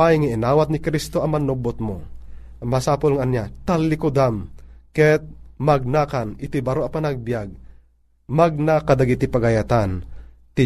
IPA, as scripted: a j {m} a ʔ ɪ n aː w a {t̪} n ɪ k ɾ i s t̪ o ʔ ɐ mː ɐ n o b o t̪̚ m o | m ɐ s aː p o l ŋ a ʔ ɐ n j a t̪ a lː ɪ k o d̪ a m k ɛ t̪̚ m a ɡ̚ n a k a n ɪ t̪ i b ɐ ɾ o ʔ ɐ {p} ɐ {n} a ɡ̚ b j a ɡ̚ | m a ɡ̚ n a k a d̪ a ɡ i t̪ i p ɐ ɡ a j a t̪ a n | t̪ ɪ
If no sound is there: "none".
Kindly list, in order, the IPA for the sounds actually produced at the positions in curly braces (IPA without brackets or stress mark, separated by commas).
ŋ, t̪, p, n